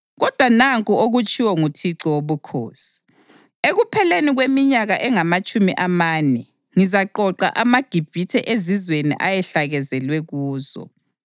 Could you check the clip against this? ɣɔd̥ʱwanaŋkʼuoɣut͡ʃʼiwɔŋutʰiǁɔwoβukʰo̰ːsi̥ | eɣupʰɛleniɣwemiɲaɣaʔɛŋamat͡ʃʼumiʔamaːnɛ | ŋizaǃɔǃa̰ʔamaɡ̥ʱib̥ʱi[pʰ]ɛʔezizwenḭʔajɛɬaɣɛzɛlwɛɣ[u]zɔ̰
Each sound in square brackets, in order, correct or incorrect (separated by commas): incorrect, incorrect